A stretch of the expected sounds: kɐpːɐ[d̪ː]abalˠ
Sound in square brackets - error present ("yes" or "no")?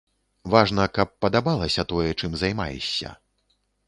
yes